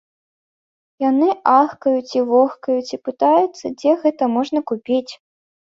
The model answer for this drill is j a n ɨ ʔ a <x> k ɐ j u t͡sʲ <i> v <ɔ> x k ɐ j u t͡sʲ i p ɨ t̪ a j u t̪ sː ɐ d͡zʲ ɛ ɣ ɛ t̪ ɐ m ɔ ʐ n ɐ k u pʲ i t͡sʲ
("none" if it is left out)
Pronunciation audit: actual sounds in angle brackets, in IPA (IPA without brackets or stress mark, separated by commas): x, i, ɔ